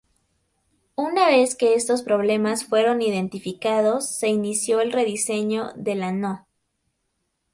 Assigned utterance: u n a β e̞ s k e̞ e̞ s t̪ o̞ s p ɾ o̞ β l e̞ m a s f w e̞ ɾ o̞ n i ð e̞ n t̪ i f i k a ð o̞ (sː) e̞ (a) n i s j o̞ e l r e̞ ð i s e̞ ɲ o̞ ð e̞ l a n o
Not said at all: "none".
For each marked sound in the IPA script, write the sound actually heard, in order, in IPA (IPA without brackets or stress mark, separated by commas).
sː, i